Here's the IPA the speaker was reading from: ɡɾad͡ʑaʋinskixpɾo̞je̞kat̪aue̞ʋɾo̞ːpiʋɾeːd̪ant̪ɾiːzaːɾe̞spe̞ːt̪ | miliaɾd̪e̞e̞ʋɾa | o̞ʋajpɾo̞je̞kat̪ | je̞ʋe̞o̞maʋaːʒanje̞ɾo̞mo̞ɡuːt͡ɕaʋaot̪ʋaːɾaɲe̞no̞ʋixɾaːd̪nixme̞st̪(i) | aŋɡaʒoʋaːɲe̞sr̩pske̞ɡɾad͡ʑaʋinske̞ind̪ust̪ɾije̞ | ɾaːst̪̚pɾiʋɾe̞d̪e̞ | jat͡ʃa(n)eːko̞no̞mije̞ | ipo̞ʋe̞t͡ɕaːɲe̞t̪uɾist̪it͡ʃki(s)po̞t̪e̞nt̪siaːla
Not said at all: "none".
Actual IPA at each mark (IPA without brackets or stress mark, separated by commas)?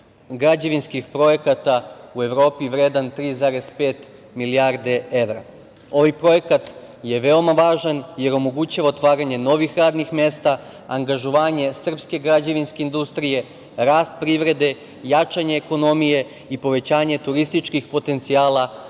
a, ɲ, x